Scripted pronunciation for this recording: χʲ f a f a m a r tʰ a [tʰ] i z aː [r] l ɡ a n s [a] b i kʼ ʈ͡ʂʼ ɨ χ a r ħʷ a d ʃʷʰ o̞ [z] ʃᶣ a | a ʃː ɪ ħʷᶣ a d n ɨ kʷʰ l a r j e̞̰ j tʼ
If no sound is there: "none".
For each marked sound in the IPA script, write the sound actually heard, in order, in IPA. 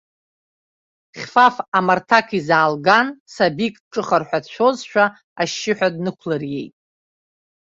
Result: kʰ, none, a, z

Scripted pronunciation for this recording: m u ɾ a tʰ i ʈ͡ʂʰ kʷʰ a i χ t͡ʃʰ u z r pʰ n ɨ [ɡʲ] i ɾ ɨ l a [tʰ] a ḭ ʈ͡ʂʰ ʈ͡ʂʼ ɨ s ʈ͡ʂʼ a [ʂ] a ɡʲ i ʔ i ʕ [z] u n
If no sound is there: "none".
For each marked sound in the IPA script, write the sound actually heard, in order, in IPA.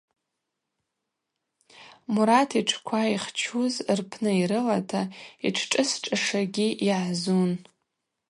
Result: none, tʰ, ʂ, z

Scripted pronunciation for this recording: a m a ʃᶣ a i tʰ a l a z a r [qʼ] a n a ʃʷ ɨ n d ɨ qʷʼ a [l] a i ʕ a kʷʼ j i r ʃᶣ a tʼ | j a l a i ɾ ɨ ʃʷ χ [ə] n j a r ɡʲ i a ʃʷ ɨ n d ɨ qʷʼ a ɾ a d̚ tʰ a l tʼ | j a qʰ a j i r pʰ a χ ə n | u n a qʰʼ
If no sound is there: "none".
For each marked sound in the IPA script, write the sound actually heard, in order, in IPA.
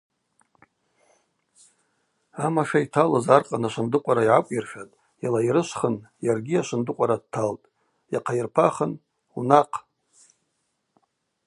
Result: qʼ, ɾ, ə

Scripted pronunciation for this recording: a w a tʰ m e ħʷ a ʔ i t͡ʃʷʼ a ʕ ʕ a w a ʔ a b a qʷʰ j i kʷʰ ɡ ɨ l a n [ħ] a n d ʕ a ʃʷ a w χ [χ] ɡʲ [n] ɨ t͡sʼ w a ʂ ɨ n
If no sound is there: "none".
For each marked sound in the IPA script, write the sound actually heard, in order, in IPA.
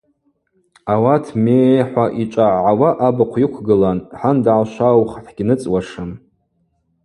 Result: ħ, ħ, n

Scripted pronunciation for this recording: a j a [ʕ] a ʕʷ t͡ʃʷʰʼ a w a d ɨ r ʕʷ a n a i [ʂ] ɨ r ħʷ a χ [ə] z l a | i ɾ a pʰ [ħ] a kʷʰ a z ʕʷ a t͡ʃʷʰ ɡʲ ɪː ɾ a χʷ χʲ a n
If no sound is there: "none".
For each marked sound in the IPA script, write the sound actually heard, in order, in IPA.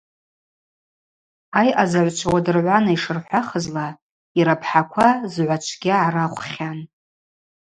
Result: z, ʂ, ə, ħ

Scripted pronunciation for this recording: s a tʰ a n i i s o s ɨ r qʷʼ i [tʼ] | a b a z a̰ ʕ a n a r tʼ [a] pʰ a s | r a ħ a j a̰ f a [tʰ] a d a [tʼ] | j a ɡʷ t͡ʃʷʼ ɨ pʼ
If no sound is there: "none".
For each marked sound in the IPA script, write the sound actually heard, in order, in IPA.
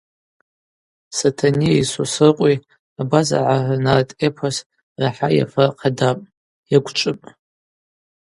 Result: none, e, qʰ, pʼ

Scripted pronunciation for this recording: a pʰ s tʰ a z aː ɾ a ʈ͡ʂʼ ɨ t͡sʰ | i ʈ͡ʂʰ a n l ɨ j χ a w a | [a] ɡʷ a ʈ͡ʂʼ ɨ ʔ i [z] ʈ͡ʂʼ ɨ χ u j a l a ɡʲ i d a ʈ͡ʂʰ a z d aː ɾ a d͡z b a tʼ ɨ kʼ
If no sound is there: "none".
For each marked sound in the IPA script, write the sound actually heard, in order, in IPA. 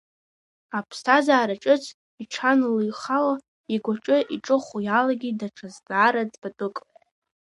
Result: i, none

